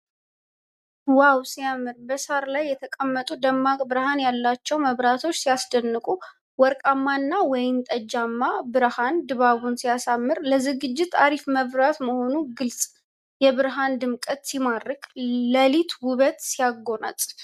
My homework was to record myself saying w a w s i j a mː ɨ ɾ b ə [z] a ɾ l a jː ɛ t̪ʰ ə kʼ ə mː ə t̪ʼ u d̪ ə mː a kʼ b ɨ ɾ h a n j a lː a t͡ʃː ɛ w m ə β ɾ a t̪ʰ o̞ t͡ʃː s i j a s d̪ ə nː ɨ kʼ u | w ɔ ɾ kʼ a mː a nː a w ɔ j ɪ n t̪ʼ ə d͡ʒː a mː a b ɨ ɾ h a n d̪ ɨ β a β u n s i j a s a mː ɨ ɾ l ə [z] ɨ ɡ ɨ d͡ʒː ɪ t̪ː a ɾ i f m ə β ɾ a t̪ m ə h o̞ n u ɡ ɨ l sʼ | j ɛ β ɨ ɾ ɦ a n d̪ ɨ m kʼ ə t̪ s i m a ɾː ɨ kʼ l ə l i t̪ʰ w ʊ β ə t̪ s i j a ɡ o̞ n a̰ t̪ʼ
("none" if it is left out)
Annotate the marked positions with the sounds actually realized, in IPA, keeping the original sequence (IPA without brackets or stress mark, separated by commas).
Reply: s, z